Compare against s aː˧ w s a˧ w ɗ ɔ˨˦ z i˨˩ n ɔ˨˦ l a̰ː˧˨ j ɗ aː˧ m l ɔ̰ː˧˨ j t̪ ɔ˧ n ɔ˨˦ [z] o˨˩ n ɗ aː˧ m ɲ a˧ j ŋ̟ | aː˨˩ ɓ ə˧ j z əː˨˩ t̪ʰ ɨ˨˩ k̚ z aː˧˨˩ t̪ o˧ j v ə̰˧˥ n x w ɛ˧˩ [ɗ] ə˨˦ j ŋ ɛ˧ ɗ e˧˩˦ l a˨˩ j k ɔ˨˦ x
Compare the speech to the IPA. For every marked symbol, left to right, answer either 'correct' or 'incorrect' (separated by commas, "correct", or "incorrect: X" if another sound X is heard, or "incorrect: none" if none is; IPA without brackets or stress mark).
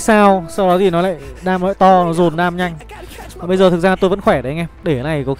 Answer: correct, correct